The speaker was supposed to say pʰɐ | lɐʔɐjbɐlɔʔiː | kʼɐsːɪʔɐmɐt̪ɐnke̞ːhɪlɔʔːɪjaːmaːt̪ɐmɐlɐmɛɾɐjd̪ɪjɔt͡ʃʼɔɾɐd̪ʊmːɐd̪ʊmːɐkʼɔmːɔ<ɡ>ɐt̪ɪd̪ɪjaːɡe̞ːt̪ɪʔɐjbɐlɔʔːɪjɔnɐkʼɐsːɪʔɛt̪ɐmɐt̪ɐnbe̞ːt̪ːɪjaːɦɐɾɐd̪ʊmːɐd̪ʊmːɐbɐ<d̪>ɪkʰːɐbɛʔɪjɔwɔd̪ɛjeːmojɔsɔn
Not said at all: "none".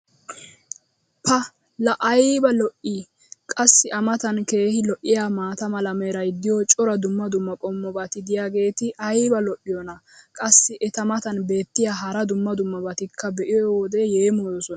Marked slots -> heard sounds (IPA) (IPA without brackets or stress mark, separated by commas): b, t̪